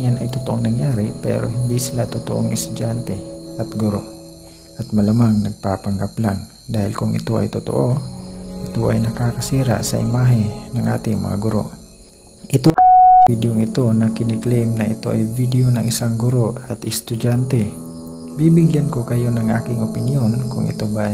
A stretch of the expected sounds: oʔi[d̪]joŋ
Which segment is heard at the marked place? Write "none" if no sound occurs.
d̪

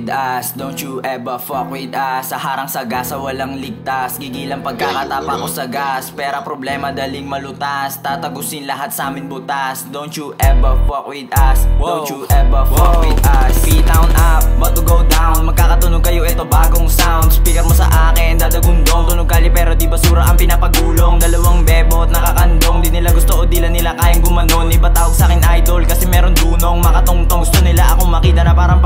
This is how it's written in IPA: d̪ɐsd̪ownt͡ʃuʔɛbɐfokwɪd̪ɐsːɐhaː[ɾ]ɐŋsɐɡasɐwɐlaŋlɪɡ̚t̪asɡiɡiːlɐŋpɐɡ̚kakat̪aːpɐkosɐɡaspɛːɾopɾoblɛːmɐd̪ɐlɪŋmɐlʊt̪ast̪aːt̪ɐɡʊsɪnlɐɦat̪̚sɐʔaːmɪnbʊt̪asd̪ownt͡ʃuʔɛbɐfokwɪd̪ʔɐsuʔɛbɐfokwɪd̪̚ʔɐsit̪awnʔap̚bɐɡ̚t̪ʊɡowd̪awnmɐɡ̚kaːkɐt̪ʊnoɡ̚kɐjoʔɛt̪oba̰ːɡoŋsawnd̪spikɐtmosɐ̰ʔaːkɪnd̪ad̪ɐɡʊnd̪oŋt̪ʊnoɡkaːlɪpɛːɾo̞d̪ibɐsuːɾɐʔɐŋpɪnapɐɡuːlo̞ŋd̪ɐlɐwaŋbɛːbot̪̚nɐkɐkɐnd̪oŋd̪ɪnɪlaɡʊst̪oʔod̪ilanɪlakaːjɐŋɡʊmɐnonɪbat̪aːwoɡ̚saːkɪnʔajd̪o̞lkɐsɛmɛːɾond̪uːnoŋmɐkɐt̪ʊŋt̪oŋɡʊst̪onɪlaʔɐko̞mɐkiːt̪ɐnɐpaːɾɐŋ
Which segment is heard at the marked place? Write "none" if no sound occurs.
ɾ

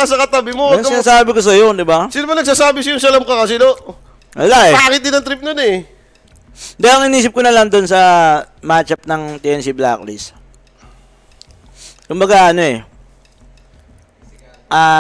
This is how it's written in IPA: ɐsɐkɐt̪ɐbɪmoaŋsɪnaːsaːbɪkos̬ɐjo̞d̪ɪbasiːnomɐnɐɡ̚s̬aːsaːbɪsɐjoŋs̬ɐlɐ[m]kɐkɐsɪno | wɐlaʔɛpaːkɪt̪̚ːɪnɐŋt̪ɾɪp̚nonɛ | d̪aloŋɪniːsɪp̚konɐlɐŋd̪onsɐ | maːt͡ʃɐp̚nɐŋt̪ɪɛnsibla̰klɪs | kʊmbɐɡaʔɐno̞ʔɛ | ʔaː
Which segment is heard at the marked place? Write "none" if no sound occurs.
m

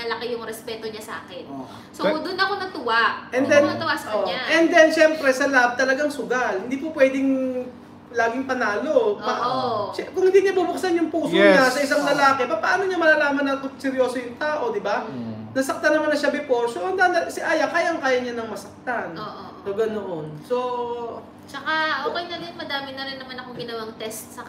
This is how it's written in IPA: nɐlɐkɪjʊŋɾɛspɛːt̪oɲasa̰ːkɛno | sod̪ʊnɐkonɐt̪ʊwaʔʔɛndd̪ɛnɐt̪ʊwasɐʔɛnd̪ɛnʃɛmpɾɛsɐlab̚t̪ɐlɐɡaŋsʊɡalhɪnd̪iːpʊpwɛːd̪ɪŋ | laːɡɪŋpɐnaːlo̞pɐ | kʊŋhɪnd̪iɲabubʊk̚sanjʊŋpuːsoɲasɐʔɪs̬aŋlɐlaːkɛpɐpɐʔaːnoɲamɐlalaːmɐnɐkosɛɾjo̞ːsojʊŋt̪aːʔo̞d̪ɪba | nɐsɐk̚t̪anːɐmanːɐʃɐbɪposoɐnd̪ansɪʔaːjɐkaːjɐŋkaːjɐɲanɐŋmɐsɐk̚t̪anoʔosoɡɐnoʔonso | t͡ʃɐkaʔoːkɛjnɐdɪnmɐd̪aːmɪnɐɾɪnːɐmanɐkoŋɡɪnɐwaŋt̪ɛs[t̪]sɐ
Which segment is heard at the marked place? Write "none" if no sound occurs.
t̪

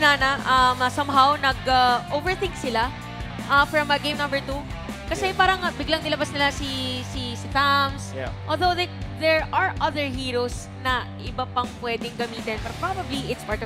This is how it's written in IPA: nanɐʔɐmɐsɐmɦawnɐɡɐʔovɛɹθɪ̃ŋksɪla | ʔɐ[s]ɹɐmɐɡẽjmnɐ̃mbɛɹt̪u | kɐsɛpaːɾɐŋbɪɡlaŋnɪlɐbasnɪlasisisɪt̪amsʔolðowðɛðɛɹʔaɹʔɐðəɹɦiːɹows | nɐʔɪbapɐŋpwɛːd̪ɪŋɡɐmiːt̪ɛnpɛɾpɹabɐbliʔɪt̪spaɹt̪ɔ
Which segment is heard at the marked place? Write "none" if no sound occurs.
f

